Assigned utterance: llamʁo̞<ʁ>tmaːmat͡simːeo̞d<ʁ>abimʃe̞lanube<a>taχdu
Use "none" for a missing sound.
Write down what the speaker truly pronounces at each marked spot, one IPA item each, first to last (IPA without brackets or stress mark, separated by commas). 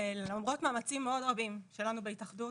none, ʁ, i